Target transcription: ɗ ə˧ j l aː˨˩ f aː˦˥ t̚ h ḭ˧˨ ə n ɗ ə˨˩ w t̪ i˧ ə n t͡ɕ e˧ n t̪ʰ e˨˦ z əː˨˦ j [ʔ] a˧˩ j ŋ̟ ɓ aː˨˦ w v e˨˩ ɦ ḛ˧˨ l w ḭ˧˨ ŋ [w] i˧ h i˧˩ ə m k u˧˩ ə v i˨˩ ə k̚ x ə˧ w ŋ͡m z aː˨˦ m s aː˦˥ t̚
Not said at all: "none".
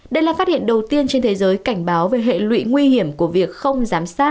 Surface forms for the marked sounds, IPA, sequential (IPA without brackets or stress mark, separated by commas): k, w